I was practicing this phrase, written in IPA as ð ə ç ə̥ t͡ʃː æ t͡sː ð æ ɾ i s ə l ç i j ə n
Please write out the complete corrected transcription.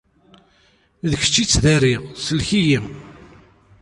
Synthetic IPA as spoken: ð ə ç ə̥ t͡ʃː i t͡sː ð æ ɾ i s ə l ç i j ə m